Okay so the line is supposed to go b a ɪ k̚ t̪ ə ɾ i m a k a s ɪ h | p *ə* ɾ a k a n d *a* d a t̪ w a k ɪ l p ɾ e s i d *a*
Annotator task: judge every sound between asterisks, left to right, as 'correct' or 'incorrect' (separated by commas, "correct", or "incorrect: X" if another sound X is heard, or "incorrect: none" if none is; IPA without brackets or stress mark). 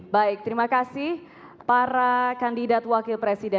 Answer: incorrect: a, incorrect: i, incorrect: ɛ